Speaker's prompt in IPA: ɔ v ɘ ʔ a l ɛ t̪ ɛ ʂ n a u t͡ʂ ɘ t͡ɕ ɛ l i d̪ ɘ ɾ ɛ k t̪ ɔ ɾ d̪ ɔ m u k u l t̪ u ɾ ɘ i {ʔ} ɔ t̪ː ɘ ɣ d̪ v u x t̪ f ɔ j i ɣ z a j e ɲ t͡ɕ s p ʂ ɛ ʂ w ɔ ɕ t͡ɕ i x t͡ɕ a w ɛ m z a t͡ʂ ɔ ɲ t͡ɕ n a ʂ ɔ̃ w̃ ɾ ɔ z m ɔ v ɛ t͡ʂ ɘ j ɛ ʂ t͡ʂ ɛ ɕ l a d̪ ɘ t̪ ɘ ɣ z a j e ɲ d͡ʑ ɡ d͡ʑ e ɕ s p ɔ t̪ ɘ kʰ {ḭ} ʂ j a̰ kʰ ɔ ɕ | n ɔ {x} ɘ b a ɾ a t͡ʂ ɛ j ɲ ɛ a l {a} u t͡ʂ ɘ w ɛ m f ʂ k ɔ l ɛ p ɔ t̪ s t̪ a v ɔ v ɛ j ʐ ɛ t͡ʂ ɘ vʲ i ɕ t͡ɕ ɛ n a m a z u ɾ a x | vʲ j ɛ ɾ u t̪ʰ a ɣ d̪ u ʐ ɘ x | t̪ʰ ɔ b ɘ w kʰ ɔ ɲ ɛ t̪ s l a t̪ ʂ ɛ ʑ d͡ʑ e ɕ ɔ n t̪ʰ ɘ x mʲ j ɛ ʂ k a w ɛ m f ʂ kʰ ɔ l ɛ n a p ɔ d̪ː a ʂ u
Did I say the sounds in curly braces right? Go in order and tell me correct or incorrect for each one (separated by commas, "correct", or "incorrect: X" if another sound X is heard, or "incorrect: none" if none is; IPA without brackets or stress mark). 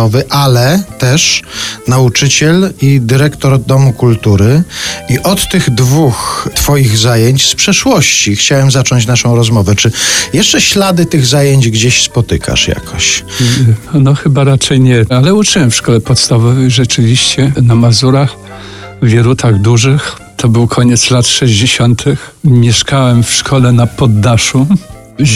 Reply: correct, incorrect: a̰, correct, incorrect: ɛ